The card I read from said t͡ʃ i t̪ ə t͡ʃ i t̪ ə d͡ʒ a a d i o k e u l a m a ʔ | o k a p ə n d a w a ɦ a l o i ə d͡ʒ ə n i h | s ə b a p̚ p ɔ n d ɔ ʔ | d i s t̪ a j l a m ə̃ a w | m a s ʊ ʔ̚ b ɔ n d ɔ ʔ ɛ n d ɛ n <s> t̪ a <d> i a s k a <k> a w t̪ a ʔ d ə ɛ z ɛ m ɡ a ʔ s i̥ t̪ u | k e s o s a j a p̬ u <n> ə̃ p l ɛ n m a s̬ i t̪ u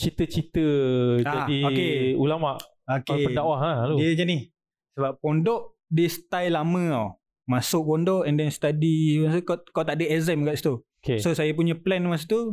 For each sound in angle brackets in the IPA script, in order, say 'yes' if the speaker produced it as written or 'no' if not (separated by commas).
yes, yes, yes, no